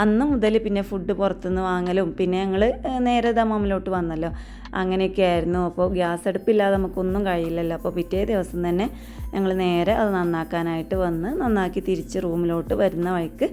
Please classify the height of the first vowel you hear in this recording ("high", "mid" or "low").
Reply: low